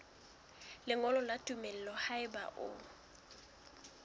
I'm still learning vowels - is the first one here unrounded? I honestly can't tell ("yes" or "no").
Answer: yes